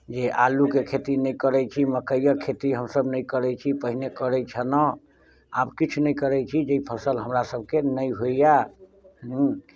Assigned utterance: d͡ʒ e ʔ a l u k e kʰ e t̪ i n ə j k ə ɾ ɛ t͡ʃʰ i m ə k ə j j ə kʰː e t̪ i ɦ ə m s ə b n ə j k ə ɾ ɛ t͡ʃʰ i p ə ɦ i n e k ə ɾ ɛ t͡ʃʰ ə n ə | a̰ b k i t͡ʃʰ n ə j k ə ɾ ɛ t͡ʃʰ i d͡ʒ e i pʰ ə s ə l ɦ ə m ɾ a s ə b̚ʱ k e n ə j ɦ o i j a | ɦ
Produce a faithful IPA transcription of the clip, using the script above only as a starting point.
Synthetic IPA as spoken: d͡ʒ e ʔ a l u k e kʰ e t̪ i n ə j k ə ɾ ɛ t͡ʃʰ i m ə k ə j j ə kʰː e t̪ i ɦ ə m s ə b n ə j k ə ɾ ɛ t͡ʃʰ i p ə ɦ i n e k ə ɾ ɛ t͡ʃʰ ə n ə | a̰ b k i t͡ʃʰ n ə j k ə ɾ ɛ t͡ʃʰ i d͡ʒ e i pʰ ə s ə l ɦ ə m ɾ a s ə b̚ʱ k e n ə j ɦ o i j a | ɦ